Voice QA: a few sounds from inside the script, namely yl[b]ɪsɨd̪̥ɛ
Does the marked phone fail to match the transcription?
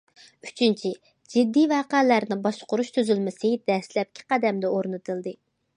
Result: yes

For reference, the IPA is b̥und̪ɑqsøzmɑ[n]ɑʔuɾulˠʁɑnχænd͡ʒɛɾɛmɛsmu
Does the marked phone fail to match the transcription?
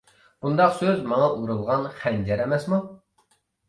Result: yes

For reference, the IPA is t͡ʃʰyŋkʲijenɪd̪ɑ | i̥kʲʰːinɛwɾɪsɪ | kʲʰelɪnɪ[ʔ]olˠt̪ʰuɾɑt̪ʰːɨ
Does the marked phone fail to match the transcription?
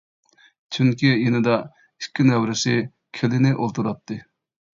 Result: no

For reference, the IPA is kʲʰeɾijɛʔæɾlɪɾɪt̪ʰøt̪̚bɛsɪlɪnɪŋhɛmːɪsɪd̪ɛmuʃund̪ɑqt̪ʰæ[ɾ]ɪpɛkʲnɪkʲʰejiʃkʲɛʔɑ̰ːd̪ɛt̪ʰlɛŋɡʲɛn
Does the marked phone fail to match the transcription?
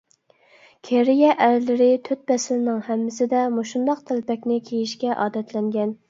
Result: yes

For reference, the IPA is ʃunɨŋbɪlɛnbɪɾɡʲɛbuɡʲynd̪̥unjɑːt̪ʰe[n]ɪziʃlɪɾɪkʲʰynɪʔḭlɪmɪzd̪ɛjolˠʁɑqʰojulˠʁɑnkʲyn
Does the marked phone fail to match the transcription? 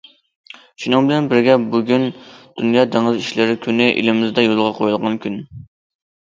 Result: yes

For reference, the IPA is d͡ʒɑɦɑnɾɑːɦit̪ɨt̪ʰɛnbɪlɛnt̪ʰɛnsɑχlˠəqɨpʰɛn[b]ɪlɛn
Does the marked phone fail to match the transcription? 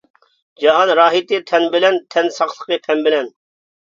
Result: no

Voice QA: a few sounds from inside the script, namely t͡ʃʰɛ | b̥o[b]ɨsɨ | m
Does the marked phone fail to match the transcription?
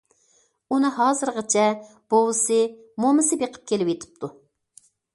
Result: yes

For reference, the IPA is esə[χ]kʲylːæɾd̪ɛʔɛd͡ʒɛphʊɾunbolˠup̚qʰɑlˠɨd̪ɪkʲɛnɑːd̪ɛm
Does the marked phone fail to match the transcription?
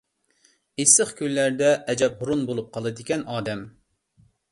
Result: no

